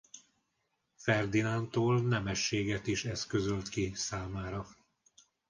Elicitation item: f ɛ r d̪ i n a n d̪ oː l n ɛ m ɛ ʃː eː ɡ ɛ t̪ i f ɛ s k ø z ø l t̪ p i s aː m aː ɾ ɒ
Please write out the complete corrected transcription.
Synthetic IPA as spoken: f ɛ r d̪ i n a n t̪ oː l n ɛ m ɛ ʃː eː ɡ ɛ t̪ i ʃ ɛ s k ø z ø l t̪ k i s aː m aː ɾ ɒ